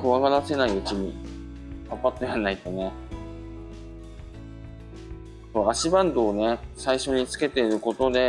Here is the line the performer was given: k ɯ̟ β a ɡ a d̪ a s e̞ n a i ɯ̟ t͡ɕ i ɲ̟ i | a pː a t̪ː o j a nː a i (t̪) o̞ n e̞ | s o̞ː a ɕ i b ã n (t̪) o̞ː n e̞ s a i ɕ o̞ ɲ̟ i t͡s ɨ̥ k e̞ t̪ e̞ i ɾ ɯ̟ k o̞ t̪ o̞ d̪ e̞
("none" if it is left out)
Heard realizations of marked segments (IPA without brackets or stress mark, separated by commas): t̪, d̪